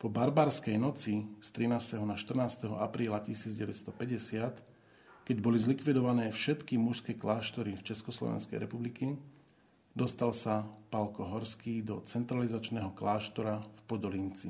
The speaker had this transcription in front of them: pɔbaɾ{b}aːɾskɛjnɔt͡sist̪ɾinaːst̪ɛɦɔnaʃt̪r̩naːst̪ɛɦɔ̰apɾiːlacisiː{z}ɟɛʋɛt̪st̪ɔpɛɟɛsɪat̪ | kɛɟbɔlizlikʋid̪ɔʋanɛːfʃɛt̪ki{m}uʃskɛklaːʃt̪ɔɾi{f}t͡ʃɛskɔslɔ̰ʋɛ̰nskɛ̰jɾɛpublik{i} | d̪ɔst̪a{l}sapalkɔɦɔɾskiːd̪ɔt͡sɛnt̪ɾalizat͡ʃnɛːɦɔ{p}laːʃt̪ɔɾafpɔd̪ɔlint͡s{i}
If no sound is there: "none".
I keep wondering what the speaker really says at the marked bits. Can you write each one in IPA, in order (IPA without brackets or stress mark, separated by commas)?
b, d͡z, m, f, i, l, k, i